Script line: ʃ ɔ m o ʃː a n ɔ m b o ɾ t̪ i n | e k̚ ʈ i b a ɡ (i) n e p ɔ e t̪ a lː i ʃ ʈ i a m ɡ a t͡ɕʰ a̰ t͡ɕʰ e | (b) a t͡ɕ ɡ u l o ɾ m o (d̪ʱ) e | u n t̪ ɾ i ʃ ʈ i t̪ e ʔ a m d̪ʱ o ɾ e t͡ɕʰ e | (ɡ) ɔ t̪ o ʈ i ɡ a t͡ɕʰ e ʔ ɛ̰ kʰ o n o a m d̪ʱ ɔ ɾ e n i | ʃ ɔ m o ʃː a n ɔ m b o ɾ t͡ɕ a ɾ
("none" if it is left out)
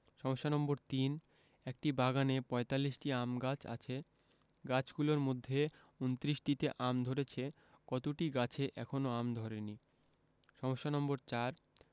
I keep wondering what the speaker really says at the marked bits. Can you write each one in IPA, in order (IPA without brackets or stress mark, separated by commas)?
a, ɡ, d̪ʱː, k